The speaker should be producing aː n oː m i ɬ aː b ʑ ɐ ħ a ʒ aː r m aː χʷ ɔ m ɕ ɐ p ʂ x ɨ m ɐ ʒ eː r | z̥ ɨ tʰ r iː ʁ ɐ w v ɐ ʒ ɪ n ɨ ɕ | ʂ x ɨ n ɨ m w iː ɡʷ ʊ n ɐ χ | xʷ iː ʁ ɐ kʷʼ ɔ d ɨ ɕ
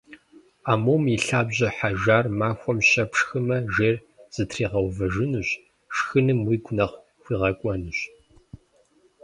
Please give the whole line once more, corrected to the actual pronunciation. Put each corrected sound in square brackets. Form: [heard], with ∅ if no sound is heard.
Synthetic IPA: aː [m] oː m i ɬ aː b ʑ ɐ ħ a ʒ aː r m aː [xʷ] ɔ m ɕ ɐ p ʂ x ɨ m ɐ ʒ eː r | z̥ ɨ tʰ r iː ʁ ɐ w v ɐ ʒ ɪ n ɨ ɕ | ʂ x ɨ n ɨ m w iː ɡʷ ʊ n ɐ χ | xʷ iː ʁ ɐ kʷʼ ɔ [n] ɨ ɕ